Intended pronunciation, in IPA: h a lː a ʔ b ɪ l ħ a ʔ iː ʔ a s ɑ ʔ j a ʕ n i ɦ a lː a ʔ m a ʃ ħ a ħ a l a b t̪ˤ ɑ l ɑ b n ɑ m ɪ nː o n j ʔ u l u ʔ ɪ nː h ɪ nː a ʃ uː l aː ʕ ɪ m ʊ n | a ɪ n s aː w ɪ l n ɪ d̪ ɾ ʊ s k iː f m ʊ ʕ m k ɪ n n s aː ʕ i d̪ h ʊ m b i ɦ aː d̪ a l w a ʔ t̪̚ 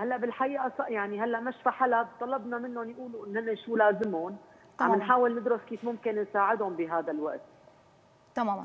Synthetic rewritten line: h a lː a ʔ b ɪ l ħ a ʔ iː ʔ a s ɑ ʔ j a ʕ n i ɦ a lː a ʔ m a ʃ f a ħ a l a b t̪ˤ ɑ l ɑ b n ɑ m ɪ nː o n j ʔ uː l u ʔ ɪ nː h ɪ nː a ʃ uː l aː z ɪ m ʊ n | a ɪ n ħ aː w ɪ l n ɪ d̪ ɾ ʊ s k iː f m ʊ m k ɪ n n s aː ʕ ɪ d̪ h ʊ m b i ɦ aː d̪ a l w a ʔ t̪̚

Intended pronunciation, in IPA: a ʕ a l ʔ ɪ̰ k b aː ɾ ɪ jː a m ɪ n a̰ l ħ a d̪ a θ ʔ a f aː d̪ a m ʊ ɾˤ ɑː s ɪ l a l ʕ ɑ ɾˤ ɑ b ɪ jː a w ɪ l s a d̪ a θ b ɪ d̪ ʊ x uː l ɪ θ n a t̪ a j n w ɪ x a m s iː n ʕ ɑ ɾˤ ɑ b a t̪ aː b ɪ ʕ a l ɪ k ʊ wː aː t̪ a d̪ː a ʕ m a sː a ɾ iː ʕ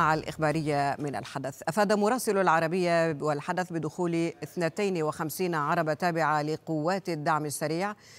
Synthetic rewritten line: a ʕ a l ʔ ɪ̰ x b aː ɾ ɪ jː a m ɪ n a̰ l ħ a d̪ a θ ʔ a f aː d̪ a m ʊ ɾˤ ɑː s ɪ l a l ʕ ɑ ɾˤ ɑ b ɪ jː a w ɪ l ħ a d̪ a θ b ɪ d̪ ʊ x uː l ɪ θ n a t̪ a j n w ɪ x a m s iː n ʕ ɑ ɾˤ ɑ b a t̪ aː b ɪ ʕ a l ɪ q ʊ wː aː t̪ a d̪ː a ʕ m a sː a ɾ iː ʕ

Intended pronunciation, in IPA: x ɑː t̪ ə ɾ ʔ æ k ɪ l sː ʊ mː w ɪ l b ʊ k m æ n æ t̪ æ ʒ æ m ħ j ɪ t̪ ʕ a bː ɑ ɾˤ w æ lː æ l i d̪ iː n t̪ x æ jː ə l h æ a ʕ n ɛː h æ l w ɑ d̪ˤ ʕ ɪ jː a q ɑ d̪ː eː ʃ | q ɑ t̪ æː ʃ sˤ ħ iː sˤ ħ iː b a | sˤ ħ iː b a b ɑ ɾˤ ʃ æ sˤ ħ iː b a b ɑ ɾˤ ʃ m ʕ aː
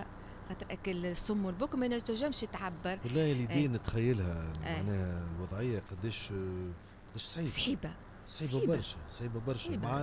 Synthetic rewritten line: x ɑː t̪ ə ɾ ʔ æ k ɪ l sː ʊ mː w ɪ l b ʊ k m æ n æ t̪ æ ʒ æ m ʃ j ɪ t̪ ʕ a bː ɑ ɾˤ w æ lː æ l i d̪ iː n t̪ x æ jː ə l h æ a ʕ n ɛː h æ l w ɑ d̪ˤ ʕ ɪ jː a q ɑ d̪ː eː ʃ | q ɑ d̪ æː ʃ sˤ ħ iː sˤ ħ iː b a | sˤ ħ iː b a b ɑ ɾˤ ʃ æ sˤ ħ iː b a b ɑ ɾˤ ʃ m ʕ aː

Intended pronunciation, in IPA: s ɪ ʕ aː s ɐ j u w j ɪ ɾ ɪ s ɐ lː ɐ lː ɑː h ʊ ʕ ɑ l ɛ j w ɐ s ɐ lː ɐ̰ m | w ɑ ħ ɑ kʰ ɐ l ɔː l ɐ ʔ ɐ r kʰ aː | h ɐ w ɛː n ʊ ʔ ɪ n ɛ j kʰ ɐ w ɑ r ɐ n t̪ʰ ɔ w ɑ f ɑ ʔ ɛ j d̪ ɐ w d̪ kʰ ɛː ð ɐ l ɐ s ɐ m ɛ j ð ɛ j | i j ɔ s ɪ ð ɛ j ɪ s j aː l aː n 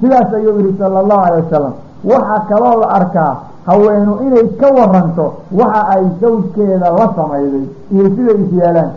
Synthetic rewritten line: s ɪ ð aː s ɐ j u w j ɪ ɾ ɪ s ɐ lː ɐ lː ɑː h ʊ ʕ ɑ l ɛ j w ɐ s ɐ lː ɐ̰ m | w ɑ ħ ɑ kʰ ɐ l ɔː l ɐ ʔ ɐ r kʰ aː | h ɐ w ɛː n ʊ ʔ ɪ n ɛ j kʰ ɐ w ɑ r ɐ n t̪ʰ ɔ w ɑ ħ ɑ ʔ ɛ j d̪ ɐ w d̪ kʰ ɛː ð ɐ l ɐ s ɐ m ɛ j ð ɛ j | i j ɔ s ɪ ð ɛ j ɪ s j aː l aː n

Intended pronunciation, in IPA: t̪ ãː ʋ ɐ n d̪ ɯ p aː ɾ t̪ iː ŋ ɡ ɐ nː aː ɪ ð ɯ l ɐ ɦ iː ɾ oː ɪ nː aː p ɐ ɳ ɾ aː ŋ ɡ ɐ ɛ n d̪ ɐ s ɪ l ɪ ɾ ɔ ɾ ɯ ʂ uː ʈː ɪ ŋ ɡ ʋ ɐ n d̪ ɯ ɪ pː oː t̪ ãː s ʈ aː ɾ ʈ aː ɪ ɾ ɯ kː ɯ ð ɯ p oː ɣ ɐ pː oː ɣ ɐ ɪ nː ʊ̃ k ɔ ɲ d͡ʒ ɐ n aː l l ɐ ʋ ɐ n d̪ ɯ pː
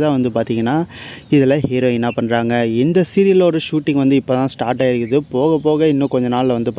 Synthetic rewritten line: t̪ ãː ʋ ɐ n d̪ ɯ p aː ɾ t̪ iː ŋ ɡ ɐ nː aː ɪ ð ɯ l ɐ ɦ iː ɾ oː ɪ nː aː p ɐ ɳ ɾ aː ŋ ɡ ɐ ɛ n d̪ ɐ s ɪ ɾ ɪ l ɔ ɾ ɯ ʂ uː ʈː ɪ ŋ ɡ ʋ ɐ n d̪ ɯ ɪ pː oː t̪ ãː s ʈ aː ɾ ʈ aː ɪ ɾ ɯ kː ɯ ð ɯ p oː ɣ ɐ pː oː ɣ ɐ ɪ nː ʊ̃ k ɔ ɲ d͡ʒ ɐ n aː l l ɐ ʋ ɐ n d̪ ɯ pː

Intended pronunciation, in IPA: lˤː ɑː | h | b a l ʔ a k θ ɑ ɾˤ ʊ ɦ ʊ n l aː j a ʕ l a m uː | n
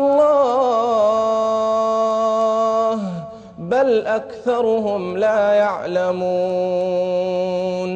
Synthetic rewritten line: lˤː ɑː | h | b a l ʔ a k θ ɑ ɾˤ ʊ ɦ ʊ m l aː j a ʕ l a m uː | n

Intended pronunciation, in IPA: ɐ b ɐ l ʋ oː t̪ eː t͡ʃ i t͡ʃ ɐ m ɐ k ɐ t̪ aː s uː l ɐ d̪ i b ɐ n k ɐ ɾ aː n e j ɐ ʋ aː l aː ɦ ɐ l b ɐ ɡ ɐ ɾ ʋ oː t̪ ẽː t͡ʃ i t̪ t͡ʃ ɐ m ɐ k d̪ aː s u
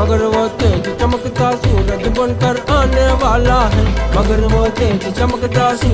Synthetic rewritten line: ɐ ɡ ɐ ɾ ʋ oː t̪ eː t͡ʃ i t͡ʃ ɐ m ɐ k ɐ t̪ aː s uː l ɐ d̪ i b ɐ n k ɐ ɾ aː n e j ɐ ʋ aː l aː ɦ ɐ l m ɐ ɡ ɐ ɾ ʋ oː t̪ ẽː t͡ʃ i t͡ʃ ɐ m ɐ k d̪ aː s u

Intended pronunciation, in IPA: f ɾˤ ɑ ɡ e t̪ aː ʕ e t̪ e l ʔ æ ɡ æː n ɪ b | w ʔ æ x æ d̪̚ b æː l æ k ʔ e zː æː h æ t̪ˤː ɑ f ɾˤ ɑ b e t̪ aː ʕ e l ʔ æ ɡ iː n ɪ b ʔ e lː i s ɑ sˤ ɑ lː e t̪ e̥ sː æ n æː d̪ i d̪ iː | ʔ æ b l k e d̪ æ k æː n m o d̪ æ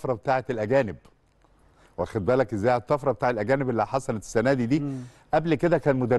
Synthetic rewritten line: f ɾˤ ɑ b e t̪ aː ʕ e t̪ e l ʔ æ ɡ æː n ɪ b | w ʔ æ x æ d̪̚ b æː l æ k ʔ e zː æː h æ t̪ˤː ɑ f ɾˤ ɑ b e t̪ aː ʕ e l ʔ æ ɡ æː n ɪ b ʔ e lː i ħ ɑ sˤ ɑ l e t̪ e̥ sː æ n æː d̪ i d̪ iː | ʔ æ b l k e d̪ æ k æː n m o d̪ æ

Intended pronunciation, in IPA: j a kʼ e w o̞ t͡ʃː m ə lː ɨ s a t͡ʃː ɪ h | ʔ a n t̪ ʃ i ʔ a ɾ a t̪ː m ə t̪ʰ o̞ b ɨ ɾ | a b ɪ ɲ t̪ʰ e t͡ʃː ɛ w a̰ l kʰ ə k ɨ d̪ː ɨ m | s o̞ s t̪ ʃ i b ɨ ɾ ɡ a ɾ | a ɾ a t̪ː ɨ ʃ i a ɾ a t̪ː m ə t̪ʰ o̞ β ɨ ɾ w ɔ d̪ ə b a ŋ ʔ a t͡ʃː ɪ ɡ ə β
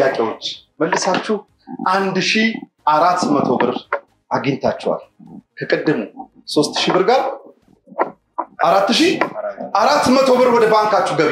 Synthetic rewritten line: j a kʼ e w o̞ t͡ʃː m ə lː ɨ s a t͡ʃː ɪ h | ʔ a n d̪ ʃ i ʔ a ɾ a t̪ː m ə t̪ʰ o̞ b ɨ ɾ | a ɡ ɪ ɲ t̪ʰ a t͡ʃː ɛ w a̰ l kʰ ə kʼ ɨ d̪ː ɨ m | s o̞ s t̪ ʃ i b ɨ ɾ ɡ a ɾ | a ɾ a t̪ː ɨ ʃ i a ɾ a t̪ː m ə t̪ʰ o̞ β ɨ ɾ w ɔ d̪ ə b a ŋ k a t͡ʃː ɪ ɡ ə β

